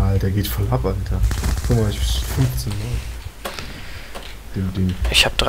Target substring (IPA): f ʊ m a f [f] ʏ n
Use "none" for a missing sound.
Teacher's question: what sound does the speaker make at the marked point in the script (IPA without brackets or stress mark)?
f